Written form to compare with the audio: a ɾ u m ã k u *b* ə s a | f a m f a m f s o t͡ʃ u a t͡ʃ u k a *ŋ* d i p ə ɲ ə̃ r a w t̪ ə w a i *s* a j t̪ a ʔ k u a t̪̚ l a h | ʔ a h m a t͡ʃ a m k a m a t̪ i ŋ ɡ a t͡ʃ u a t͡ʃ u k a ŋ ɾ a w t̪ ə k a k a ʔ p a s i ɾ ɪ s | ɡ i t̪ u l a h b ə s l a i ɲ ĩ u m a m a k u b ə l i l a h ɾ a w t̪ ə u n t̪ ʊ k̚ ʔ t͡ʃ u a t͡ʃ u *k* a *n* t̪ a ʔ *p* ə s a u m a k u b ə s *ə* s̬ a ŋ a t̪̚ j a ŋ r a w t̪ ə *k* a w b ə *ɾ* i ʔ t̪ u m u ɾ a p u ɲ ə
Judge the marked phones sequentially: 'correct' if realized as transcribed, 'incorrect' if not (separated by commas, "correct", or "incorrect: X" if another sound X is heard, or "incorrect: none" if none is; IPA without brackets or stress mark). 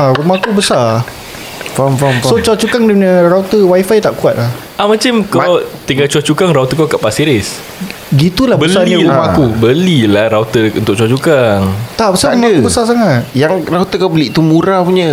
correct, correct, incorrect: f, correct, incorrect: ŋ, incorrect: b, incorrect: a, correct, incorrect: l